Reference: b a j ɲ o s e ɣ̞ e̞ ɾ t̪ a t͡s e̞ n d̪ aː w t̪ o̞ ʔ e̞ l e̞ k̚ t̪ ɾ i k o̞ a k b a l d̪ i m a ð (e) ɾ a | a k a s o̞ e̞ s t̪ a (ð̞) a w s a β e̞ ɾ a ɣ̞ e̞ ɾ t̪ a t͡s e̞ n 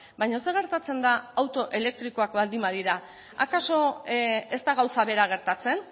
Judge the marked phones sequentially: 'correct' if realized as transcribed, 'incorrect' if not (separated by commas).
incorrect, incorrect